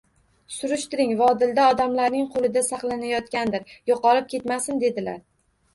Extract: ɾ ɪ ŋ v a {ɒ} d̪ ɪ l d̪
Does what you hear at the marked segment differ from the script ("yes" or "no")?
no